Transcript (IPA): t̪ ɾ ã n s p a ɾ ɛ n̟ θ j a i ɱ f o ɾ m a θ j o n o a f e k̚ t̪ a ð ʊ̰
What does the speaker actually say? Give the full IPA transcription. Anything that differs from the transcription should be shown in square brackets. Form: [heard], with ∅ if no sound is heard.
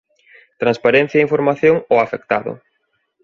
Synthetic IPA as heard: t̪ ɾ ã n s p a ɾ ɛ n̟ θ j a i ɱ f o ɾ m a θ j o [ŋ] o a f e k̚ t̪ a ð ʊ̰

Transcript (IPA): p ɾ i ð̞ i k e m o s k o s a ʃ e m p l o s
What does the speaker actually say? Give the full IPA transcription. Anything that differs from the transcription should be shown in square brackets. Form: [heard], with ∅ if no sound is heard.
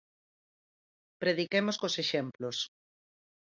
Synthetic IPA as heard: p ɾ [e] ð̞ i k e m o s k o s [e] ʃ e m p l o s

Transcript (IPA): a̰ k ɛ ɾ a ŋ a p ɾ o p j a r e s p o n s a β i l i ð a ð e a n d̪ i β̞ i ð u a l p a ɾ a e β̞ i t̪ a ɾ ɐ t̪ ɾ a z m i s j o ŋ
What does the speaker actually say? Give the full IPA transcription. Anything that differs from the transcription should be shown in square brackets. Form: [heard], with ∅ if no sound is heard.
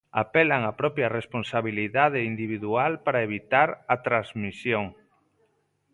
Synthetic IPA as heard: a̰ [p] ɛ [l] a ŋ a p ɾ [ɔ] p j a r e s p o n s a β i l i ð a ð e [i] n d̪ i β̞ i ð u a l p a ɾ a e β̞ i t̪ a ɾ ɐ t̪ ɾ a z m i s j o ŋ

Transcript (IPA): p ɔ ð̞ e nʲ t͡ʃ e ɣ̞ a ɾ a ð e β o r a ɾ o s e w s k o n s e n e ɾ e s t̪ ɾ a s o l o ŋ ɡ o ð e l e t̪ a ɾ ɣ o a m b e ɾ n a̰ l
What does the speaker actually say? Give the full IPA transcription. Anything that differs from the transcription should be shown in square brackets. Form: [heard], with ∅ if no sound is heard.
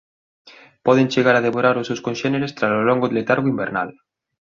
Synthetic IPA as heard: p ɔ ð̞ e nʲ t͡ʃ e ɣ̞ a ɾ a ð e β o [ɾ] a ɾ o s e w s k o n [ʃ] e n e ɾ e s t̪ ɾ a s o l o ŋ ɡ o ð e l e t̪ a ɾ ɣ o [i] m b e ɾ n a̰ l

